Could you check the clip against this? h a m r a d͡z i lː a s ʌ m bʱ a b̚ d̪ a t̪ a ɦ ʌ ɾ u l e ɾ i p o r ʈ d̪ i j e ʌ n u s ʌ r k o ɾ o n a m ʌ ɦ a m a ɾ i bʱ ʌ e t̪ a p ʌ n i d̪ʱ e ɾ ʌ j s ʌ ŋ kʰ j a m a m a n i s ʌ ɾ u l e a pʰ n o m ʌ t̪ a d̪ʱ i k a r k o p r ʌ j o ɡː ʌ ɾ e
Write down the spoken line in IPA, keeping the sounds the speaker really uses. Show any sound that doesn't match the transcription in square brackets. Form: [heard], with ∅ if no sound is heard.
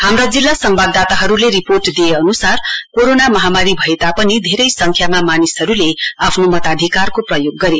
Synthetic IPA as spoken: h a m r a d͡z i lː a s ʌ m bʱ a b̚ d̪ a t̪ a ɦ ʌ ɾ u l e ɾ i p o r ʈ d̪ i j e ʌ n u s [a] r k o ɾ o n a m ʌ ɦ a m a ɾ i bʱ ʌ e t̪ a p ʌ n i d̪ʱ e ɾ ʌ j s ʌ ŋ kʰ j a m a m a n i s ʌ ɾ u l e a pʰ n o m ʌ t̪ a d̪ʱ i k a r k o p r ʌ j o ɡː ʌ ɾ e